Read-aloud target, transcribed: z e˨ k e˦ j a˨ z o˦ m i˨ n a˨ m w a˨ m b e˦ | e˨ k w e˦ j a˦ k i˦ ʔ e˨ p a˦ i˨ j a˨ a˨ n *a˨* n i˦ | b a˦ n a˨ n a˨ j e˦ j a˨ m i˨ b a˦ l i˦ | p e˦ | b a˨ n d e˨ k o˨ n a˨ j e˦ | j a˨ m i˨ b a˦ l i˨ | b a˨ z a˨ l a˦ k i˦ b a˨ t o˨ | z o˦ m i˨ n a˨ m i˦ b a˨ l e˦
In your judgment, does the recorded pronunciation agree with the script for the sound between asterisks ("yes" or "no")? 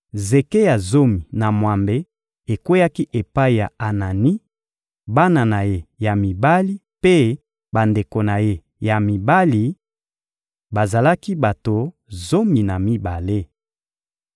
yes